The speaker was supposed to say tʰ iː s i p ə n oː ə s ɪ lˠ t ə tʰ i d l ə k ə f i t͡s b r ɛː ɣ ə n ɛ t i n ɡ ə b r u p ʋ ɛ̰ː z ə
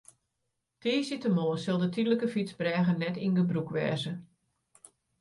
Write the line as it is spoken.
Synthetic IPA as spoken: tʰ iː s i t ə m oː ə s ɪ lˠ d ə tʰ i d l ə k ə f i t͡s b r ɛː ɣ ə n ɛ t i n ɡ ə b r u k ʋ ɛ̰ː z ə